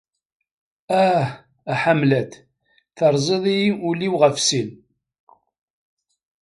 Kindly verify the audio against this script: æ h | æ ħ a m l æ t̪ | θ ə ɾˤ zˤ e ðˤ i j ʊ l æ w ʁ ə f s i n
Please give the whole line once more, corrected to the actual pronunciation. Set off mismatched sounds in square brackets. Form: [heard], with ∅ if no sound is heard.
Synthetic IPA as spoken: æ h | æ ħ a m l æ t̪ | θ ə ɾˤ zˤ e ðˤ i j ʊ l [i] w ʁ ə f s i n